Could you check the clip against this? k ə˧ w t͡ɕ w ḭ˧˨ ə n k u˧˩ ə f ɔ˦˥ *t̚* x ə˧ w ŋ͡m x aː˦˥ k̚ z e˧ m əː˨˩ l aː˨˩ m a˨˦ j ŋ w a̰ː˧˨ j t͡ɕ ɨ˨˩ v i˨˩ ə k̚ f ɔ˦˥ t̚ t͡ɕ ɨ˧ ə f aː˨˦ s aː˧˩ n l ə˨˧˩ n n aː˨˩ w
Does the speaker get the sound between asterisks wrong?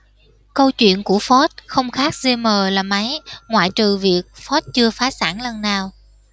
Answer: no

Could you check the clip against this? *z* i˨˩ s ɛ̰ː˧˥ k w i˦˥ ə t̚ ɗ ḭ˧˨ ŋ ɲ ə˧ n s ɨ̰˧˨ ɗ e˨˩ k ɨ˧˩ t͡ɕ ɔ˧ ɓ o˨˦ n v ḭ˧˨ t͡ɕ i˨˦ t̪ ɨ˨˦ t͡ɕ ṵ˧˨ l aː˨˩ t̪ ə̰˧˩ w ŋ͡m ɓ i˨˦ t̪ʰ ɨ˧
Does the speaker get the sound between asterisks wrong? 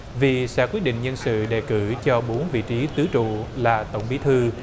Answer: yes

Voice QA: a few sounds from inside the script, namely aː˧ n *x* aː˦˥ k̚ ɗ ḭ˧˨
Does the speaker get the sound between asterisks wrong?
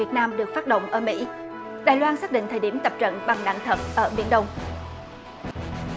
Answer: yes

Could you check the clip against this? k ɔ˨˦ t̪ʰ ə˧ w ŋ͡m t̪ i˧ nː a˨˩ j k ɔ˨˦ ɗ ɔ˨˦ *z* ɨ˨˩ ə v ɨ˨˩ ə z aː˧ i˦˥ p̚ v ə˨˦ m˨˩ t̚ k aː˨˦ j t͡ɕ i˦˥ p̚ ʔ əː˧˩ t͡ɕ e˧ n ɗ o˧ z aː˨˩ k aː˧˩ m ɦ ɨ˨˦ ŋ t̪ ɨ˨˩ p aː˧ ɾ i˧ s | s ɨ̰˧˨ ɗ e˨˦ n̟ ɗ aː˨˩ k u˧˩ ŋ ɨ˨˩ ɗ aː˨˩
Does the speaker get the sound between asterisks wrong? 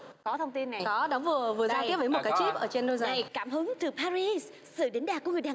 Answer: yes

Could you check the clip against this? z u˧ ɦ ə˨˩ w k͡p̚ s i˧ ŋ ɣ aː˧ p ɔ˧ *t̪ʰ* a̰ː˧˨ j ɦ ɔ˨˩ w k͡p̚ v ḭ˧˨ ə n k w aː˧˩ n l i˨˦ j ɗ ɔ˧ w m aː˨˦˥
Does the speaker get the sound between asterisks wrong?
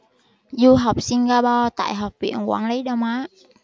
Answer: yes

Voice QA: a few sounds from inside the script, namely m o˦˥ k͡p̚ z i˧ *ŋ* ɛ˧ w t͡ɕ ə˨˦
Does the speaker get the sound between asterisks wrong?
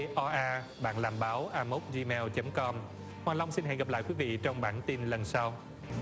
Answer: yes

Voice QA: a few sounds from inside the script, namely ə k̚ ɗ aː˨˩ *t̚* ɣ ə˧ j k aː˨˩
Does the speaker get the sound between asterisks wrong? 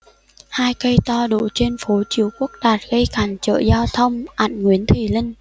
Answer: no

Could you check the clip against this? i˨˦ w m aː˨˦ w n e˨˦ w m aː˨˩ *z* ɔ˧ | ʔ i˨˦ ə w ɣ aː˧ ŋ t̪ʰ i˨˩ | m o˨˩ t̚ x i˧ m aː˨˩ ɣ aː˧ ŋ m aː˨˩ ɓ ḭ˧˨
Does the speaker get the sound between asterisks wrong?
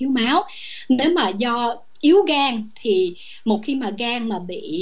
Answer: no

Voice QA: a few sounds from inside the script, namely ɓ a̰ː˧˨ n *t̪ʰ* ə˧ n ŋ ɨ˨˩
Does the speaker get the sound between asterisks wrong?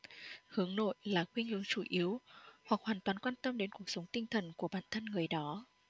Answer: no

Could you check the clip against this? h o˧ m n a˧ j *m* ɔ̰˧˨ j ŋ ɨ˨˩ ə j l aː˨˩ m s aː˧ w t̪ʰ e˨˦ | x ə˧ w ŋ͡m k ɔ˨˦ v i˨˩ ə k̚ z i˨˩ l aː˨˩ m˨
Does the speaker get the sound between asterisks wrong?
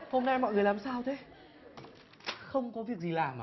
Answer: no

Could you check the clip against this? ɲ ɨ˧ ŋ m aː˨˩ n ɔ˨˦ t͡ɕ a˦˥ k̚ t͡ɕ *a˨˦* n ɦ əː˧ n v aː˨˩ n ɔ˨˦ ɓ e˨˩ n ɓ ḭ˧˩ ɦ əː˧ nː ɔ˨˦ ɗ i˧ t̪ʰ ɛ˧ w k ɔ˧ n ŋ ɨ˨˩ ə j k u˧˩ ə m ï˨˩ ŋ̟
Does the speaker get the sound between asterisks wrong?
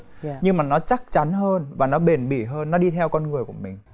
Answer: no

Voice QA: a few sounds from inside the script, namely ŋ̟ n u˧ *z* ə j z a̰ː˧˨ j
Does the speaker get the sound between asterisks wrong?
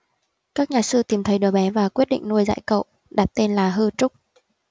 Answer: yes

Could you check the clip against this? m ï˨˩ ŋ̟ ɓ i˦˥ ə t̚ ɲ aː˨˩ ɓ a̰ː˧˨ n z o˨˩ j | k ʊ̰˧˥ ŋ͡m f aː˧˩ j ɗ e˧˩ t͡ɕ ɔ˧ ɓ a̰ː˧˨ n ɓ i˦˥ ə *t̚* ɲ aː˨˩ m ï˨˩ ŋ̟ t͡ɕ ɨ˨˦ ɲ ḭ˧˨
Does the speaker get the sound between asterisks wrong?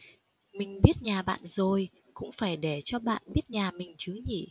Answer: no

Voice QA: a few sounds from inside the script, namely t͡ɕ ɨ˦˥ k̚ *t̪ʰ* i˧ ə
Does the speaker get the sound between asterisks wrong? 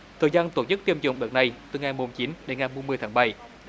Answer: yes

